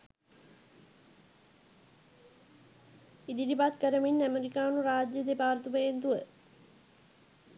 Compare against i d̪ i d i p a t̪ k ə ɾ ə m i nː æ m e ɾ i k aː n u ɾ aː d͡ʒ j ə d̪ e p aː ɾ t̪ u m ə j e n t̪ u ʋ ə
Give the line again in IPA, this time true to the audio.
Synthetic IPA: i d̪ i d i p a t̪ k ə ɾ ə m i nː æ m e ɾ i k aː n u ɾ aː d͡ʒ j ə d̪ e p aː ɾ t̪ u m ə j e n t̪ u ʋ ə